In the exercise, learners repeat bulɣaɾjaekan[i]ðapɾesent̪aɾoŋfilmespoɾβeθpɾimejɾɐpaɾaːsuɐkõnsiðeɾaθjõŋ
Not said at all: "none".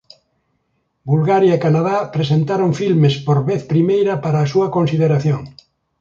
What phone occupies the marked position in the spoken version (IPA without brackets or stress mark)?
a